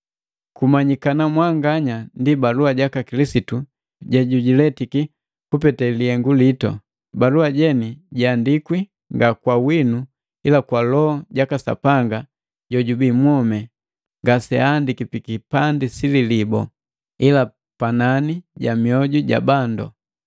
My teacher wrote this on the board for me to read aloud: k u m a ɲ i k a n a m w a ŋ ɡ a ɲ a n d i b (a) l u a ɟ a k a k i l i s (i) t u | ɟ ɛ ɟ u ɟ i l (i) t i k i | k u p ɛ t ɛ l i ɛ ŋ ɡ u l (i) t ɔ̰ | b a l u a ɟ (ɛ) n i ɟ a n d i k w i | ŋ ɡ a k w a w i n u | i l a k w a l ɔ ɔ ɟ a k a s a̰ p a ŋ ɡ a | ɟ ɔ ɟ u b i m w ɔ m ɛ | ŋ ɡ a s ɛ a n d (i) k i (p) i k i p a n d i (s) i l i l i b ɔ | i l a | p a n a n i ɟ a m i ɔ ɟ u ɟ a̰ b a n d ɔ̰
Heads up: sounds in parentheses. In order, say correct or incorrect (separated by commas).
correct, correct, incorrect, correct, correct, correct, correct, correct